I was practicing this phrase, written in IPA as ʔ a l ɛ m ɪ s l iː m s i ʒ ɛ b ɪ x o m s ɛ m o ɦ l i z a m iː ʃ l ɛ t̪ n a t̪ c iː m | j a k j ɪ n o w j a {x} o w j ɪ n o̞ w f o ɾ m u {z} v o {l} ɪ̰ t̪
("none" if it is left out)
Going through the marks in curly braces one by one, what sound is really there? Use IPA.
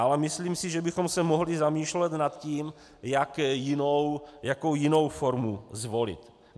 k, z, l

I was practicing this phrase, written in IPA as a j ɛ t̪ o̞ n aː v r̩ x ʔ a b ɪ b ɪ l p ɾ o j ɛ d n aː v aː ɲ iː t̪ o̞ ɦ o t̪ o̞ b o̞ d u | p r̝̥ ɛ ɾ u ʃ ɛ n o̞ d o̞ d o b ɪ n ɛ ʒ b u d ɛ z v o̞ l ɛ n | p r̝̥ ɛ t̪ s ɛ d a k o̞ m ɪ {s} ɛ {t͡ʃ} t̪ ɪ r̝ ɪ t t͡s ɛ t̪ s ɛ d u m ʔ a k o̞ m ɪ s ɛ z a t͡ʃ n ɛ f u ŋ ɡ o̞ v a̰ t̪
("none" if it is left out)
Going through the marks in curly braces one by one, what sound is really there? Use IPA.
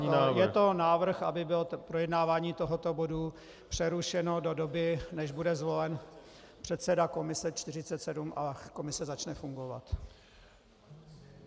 s, t͡ʃ

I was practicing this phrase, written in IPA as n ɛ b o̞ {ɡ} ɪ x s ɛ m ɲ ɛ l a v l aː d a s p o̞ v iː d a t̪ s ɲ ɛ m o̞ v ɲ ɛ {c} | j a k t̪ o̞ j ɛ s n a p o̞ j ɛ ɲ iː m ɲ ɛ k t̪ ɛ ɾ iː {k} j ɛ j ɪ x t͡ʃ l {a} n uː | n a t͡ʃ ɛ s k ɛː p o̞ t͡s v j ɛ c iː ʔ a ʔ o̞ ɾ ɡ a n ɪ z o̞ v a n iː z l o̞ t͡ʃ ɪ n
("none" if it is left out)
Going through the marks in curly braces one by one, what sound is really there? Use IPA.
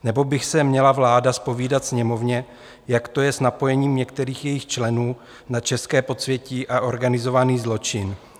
b, none, x, ɛ

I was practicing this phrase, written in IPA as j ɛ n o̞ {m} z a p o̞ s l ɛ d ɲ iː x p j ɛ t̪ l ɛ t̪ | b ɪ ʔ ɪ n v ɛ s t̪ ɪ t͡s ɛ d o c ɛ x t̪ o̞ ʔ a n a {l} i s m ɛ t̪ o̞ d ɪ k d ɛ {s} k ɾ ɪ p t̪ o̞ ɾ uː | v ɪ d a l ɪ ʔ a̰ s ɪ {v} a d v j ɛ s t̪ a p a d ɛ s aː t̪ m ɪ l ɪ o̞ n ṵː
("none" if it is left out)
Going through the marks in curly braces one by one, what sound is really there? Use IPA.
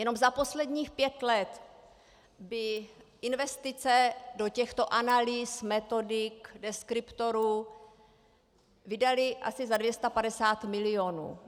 m, l, s, z

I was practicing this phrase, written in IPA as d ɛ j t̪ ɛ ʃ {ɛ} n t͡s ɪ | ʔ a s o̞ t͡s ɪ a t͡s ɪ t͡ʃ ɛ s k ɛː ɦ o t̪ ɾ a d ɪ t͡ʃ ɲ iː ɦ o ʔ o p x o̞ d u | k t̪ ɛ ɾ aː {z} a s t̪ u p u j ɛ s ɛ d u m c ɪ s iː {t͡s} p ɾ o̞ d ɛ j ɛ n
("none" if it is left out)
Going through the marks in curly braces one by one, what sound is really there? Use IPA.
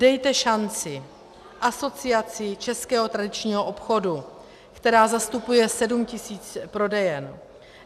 a, z, t͡s

